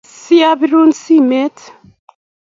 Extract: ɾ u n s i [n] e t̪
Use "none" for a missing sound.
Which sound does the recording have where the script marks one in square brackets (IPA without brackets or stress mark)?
m